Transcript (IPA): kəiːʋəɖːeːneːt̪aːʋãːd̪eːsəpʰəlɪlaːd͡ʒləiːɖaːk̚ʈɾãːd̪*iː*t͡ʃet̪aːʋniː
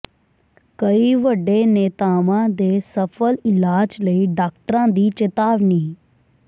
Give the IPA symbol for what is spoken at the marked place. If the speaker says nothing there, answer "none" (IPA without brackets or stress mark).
iː